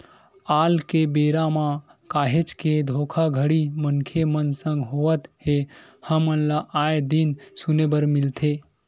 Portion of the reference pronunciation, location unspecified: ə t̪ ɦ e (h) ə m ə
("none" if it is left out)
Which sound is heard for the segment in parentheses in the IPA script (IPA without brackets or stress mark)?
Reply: h